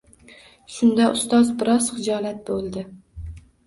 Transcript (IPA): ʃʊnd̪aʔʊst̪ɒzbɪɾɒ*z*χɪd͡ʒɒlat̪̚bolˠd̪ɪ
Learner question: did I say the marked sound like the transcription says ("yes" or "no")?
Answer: yes